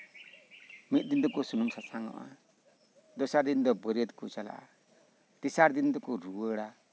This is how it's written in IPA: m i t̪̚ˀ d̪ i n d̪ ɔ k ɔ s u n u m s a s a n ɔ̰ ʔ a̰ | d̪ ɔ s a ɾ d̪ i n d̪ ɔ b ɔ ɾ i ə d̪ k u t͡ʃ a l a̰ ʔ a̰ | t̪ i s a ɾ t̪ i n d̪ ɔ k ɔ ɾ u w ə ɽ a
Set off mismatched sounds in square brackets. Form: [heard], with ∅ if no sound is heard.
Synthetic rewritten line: m i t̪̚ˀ d̪ i n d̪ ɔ k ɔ s u n u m s a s a [ŋ] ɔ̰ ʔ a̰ | d̪ ɔ s a ɾ d̪ i n d̪ ɔ b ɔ ɾ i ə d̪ k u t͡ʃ a l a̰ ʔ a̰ | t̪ i s a ɾ [d̪] i n d̪ ɔ k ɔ ɾ u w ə ɽ a